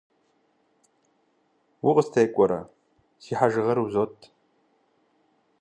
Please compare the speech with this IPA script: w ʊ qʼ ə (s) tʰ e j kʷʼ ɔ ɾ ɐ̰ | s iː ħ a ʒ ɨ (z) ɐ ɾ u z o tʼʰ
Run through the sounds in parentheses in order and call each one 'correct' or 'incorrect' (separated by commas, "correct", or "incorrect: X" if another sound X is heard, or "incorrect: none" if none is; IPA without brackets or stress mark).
correct, incorrect: ʁ